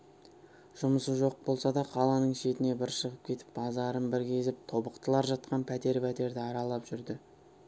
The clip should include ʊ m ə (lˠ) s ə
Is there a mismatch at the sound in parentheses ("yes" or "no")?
yes